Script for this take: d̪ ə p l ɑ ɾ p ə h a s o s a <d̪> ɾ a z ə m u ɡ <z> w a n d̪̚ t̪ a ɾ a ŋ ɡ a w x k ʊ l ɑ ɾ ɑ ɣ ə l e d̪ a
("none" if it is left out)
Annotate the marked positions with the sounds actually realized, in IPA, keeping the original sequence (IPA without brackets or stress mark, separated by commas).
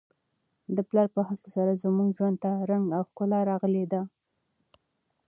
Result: none, ʒ